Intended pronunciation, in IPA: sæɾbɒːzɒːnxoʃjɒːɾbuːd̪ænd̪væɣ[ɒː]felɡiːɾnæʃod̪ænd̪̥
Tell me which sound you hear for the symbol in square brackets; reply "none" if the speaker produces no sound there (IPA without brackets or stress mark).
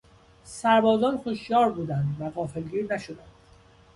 ɒː